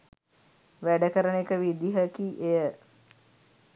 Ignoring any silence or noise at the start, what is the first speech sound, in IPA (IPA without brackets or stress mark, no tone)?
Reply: ʋ